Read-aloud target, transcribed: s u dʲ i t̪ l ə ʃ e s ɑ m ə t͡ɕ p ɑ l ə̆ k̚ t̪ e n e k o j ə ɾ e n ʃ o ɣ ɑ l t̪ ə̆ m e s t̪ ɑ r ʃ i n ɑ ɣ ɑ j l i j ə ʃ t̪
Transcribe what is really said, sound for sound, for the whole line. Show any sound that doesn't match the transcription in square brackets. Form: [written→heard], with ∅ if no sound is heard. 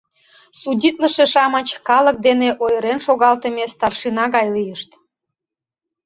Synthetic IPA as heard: s u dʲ i t̪ l ə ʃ e [s→ʃ] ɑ m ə t͡ɕ [p→k] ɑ l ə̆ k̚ [t̪→d̪] e n e [k→ʔ] o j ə ɾ e n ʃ o ɣ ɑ l t̪ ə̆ m e s t̪ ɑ r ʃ i n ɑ ɣ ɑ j l i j ə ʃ t̪